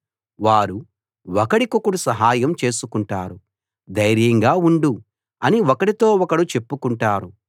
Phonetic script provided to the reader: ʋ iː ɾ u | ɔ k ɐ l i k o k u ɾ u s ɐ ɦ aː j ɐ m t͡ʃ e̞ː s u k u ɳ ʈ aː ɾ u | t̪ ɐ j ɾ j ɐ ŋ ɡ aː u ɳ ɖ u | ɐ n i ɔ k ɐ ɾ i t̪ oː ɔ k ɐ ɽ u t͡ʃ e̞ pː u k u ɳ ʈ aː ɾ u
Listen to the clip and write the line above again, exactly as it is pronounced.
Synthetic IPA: ʋ aː ɾ u | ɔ k ɐ ɽ i k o k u ɽ u s ɐ ɦ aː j ɐ m t͡ʃ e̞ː s u k u ɳ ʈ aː ɾ u | d̪ ɐ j ɾ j ɐ ŋ ɡ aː u ɳ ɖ u | ɐ n i ɔ k ɐ ɽ i t̪ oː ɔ k ɐ ɽ u t͡ʃ e̞ pː u k u ɳ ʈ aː ɾ u